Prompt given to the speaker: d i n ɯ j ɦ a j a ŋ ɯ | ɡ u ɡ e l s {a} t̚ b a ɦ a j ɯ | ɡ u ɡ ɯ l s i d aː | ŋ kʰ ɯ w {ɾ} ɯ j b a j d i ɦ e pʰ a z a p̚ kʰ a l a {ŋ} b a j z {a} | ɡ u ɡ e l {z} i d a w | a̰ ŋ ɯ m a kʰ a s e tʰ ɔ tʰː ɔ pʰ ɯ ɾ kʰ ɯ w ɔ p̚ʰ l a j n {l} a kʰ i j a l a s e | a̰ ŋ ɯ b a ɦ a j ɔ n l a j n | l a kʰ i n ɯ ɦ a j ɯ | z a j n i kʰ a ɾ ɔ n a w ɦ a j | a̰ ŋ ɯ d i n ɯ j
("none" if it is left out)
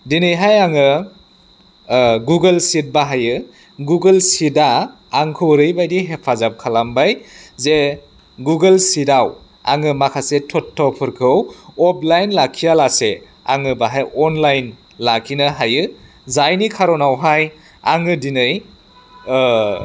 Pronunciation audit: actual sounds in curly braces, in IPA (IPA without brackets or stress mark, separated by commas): i, ɾ, m, e, s, l